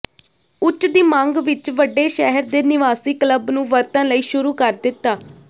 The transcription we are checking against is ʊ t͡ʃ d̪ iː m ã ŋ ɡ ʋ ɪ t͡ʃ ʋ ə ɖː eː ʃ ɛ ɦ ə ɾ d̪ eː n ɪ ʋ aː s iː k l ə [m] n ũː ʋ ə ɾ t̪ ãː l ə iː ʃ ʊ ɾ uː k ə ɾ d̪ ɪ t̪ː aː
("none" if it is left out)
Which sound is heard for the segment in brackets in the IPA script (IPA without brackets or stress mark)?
b